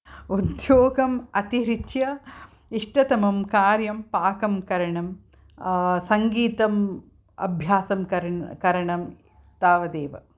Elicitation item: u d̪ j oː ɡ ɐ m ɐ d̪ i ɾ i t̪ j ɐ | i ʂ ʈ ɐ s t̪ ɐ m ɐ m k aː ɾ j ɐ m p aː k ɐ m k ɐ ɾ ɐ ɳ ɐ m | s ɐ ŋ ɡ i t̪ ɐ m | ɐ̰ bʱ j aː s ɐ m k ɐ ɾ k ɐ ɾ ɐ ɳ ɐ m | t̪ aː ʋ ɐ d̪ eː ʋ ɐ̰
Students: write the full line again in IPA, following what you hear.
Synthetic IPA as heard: u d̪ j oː ɡ ɐ m ɐ t̪ i ɾ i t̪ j ɐ | i ʂ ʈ ɐ t̪ ɐ m ɐ m k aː ɾ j ɐ m p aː k ɐ m k ɐ ɾ ɐ ɳ ɐ m | s ɐ ŋ ɡ iː t̪ ɐ m | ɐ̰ bʱ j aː s ɐ m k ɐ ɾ k ɐ ɾ ɐ ɳ ɐ m | t̪ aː ʋ ɐ d̪ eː ʋ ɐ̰